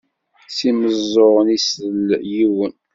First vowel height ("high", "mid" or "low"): high